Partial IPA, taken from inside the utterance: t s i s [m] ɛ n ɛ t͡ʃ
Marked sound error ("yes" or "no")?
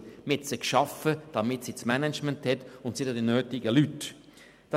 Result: no